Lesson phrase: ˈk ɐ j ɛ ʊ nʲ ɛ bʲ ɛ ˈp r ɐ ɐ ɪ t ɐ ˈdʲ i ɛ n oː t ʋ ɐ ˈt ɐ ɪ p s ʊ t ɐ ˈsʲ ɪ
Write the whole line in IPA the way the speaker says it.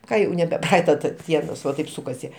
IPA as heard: ˈk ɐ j ɛ ʊ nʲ ɛ bʲ ɛ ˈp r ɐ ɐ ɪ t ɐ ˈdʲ i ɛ n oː s ʋ ɐ ˈt ɐ ɪ p s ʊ k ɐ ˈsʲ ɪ